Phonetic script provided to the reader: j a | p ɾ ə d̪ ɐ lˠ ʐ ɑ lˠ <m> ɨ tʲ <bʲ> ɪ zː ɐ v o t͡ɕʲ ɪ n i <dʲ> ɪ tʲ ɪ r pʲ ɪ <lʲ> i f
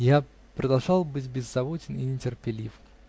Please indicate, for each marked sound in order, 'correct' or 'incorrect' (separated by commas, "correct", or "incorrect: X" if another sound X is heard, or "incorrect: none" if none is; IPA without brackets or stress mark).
incorrect: b, correct, incorrect: nʲ, correct